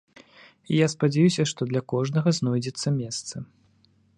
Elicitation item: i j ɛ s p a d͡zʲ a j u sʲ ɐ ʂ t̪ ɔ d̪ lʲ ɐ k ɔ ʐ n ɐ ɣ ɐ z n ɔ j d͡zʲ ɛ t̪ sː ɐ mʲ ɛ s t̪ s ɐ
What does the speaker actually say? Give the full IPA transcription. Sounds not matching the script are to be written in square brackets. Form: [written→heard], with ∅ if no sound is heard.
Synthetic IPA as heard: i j [ɛ→a] s p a d͡zʲ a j u sʲ ɐ ʂ t̪ ɔ d̪ lʲ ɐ k ɔ ʐ n ɐ ɣ ɐ z n ɔ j d͡zʲ ɛ t̪ sː ɐ mʲ ɛ s t̪ s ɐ